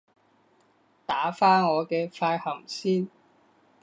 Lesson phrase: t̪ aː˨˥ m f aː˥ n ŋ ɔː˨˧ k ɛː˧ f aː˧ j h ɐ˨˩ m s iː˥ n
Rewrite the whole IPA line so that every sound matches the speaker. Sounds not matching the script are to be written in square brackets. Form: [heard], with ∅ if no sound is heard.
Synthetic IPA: t̪ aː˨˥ [∅] f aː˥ n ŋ ɔː˨˧ k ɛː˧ f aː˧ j h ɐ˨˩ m s iː˥ n